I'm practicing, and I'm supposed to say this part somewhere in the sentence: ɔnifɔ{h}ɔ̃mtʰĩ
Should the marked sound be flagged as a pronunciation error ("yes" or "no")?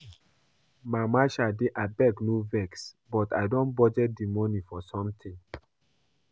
yes